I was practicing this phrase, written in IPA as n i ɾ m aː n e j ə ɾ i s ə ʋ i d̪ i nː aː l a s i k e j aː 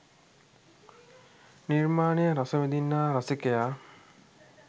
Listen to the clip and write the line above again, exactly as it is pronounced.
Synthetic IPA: n i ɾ m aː n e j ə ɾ a s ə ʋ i d̪ i nː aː ɾ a s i k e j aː